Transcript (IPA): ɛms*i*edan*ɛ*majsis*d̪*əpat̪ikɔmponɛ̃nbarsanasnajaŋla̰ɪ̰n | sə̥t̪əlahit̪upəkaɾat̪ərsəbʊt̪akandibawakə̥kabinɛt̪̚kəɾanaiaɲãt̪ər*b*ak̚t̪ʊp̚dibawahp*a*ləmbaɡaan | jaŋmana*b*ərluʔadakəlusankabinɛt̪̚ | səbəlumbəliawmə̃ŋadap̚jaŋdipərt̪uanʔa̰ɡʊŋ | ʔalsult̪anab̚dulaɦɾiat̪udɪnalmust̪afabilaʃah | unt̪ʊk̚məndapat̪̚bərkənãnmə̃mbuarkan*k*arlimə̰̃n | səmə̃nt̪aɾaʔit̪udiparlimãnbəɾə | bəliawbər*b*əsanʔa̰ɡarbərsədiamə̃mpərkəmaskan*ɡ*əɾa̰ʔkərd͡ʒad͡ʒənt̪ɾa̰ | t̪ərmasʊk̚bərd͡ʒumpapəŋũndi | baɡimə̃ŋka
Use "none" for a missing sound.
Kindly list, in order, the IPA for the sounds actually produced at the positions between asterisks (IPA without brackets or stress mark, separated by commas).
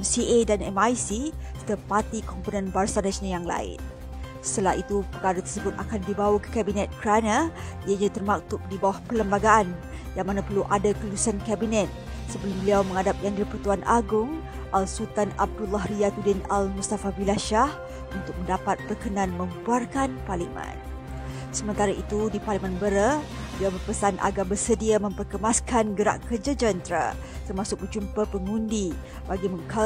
i, ɛ, t̪, m, ə, p, p, p, ɡ